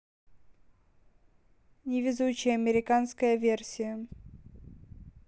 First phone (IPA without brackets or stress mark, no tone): nʲ